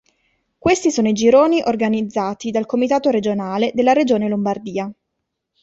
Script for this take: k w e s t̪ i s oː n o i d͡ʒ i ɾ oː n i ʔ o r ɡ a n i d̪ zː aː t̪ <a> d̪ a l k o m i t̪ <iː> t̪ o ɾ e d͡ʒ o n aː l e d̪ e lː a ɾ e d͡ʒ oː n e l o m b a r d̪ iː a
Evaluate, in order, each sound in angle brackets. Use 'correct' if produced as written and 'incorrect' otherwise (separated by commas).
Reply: incorrect, incorrect